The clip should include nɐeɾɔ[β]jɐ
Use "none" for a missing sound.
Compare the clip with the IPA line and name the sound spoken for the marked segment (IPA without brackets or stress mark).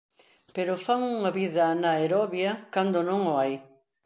β